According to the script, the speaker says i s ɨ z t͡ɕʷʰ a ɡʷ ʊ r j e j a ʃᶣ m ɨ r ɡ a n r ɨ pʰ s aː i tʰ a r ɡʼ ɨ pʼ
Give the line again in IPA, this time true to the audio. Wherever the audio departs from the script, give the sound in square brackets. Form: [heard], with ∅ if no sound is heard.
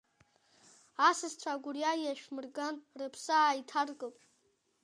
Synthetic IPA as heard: [a] s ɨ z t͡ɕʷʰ a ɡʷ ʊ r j [a] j a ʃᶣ m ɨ r ɡ a n r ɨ pʰ s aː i tʰ a r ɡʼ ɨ pʼ